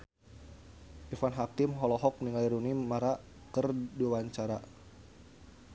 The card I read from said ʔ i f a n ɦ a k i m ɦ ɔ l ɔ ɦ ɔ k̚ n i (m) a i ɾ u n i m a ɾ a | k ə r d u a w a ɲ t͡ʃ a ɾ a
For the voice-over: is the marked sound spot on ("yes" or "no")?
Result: no